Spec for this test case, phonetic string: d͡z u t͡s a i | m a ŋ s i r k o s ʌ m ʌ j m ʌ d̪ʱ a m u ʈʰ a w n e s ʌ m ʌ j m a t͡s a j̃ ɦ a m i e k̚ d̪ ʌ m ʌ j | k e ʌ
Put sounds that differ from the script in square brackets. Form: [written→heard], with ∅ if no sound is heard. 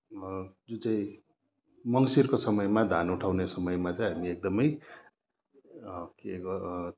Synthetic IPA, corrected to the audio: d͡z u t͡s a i | m [a→ʌ] ŋ s i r k o s ʌ m ʌ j m [ʌ→a] d̪ʱ a [m→n] u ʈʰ a w n e s ʌ m ʌ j m a t͡s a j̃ ɦ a m i e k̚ d̪ ʌ m ʌ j | k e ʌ